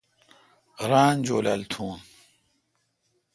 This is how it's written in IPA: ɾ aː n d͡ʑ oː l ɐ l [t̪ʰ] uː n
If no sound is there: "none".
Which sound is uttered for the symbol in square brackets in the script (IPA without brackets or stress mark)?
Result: t̪ʰ